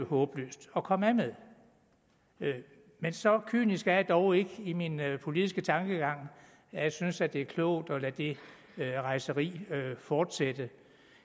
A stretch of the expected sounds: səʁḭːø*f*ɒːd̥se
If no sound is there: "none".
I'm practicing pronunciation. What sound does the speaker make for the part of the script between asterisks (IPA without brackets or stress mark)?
f